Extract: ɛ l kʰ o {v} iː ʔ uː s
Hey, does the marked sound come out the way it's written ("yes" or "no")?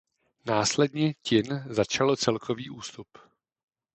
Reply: yes